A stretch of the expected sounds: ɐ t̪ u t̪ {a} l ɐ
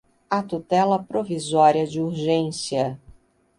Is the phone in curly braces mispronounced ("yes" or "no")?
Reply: yes